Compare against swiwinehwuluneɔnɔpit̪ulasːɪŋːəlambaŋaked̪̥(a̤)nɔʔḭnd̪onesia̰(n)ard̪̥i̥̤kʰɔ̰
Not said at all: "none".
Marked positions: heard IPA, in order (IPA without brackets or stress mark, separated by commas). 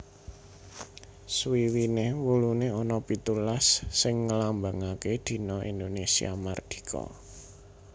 i̤, m